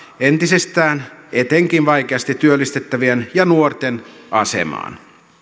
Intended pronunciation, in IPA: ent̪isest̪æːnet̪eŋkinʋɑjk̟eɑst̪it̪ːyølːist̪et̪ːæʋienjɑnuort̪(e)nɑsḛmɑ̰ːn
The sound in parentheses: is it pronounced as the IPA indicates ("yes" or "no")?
yes